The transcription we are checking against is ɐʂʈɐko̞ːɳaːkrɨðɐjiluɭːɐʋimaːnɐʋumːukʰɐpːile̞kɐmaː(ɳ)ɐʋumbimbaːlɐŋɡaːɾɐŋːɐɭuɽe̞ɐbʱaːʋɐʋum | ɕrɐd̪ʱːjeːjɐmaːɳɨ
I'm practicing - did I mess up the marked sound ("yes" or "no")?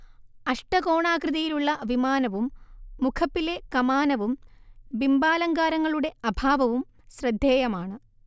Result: yes